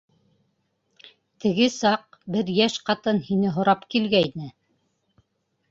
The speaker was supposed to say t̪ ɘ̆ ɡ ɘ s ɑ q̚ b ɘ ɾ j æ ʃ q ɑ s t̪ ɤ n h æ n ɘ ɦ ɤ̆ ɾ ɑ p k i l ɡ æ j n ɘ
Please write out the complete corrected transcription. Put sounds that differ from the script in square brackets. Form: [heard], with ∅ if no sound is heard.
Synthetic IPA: t̪ ɘ̆ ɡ ɘ s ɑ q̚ b ɘ ɾ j æ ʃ q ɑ [∅] t̪ ɤ n h [i] n ɘ ɦ [ŏ] ɾ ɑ p k i l ɡ æ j n ɘ